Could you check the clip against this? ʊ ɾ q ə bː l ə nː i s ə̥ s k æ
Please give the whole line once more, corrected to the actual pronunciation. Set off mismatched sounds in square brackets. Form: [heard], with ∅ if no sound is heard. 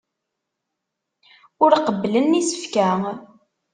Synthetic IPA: ʊ ɾ q ə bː l ə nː i s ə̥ [f] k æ